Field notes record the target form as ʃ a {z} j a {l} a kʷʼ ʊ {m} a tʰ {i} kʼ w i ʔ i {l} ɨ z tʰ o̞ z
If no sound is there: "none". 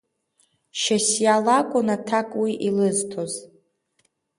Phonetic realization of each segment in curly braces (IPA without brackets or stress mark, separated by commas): s, l, n, a, l